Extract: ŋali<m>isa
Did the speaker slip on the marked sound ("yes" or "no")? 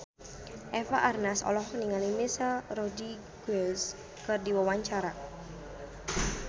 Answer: no